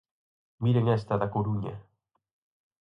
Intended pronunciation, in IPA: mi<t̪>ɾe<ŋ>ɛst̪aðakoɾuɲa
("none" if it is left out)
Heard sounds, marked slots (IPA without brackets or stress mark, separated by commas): none, ŋ